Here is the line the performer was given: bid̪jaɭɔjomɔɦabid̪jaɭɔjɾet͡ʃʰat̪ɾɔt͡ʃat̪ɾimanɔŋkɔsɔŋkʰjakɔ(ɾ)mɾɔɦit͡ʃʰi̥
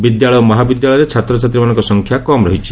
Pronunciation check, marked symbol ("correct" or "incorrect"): incorrect